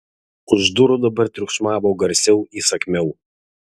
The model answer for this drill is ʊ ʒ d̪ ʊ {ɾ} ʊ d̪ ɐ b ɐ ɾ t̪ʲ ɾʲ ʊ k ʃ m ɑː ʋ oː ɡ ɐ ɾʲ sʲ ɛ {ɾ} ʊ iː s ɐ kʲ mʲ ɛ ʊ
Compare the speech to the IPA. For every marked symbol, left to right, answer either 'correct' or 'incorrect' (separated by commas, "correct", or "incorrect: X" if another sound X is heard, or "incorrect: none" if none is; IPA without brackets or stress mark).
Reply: correct, incorrect: none